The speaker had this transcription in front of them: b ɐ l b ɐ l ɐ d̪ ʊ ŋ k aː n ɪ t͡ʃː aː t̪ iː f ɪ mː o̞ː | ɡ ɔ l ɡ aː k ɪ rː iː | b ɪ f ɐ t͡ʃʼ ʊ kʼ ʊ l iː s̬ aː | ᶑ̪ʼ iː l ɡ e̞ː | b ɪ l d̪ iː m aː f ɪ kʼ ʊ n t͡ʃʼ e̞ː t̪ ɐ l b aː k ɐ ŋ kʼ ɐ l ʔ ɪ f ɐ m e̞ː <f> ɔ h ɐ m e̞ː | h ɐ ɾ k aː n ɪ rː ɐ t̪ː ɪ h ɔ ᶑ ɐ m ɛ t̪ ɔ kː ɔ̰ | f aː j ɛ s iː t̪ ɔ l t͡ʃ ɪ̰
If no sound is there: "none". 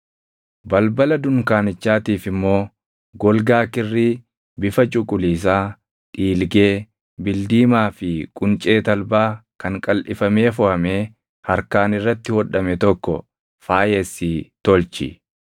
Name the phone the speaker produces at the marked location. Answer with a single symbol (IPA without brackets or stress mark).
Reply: f